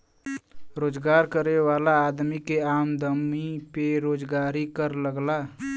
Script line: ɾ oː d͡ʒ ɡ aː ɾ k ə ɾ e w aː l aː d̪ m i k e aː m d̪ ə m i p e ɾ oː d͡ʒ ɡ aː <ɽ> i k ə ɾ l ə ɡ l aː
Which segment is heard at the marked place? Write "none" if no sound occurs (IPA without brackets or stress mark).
ɾ